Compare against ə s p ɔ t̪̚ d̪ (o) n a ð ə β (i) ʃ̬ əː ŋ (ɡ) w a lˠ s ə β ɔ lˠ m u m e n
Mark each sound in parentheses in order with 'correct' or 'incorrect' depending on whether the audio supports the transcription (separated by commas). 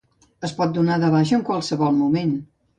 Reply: incorrect, incorrect, incorrect